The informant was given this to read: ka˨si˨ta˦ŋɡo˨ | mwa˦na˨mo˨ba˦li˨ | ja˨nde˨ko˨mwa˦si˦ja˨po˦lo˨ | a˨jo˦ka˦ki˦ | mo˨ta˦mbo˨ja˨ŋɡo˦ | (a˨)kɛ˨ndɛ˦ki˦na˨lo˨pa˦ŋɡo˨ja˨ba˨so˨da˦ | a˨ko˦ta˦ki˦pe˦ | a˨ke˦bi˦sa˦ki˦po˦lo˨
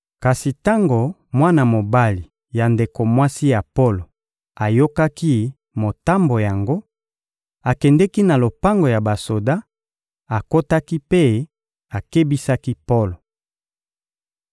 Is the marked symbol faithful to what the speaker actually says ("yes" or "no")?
yes